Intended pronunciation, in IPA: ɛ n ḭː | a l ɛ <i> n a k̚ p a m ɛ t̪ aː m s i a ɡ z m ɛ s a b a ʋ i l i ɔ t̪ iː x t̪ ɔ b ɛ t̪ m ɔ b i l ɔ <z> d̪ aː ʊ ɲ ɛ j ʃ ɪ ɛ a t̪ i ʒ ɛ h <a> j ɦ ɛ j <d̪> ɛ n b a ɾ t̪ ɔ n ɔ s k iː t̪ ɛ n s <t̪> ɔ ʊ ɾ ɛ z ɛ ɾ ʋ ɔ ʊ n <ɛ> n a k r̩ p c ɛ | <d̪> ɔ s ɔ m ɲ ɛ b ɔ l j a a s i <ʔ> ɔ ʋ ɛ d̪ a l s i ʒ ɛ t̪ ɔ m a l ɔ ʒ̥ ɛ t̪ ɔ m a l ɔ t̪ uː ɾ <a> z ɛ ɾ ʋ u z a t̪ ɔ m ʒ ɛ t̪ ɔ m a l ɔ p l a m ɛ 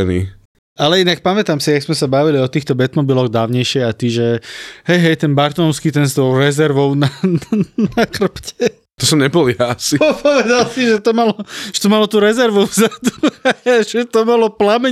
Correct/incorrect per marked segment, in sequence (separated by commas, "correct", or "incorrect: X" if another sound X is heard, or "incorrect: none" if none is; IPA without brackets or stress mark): correct, incorrect: ɣ, incorrect: ɛ, incorrect: t̪, correct, incorrect: a, incorrect: t̪, incorrect: p, incorrect: ɛ